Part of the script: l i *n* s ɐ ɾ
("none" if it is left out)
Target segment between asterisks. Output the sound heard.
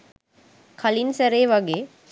n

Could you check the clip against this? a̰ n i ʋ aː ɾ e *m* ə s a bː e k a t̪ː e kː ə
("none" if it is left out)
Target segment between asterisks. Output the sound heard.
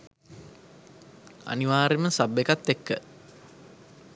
m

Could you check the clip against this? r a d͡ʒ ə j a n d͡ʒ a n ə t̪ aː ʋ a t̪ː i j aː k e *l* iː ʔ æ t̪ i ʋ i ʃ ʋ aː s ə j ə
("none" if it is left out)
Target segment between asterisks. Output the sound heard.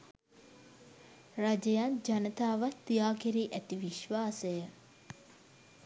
ɾ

